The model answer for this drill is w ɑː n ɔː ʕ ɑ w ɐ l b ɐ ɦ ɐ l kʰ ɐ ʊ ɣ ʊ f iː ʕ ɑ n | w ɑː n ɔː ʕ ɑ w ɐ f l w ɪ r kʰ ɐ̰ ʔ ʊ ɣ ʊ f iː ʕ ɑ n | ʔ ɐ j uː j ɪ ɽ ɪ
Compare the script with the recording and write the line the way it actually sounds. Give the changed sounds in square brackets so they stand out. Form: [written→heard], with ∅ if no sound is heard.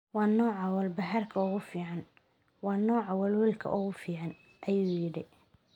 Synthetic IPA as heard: w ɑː n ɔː ʕ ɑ w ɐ l b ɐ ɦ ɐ [l→r] kʰ ɐ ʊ ɣ ʊ f iː ʕ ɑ n | w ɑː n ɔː ʕ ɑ w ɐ [f→∅] l w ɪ [r→l] kʰ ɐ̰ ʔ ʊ ɣ ʊ f iː ʕ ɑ n | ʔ ɐ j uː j ɪ ɽ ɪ